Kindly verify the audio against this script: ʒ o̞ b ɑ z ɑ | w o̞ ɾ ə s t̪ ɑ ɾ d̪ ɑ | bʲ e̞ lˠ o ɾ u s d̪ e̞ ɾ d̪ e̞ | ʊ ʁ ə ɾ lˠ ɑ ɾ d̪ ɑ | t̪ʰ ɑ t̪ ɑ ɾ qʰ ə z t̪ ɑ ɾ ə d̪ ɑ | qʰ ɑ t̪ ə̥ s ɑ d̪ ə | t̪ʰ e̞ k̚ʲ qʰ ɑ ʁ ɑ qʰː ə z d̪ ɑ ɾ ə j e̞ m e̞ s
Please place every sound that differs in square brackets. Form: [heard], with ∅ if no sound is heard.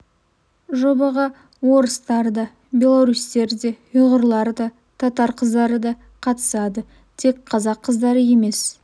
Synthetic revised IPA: ʒ o̞ b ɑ [ʁ] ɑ | w o̞ ɾ ə s t̪ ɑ ɾ d̪ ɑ | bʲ e̞ lˠ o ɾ u s [t̪] e̞ ɾ d̪ e̞ | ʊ ʁ ə ɾ lˠ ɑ ɾ d̪ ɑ | t̪ʰ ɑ t̪ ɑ ɾ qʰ ə z [d̪] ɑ ɾ ə d̪ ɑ | qʰ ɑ t̪ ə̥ s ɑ d̪ ə | t̪ʰ e̞ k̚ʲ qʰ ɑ [z] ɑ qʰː ə z d̪ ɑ ɾ ə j e̞ m e̞ s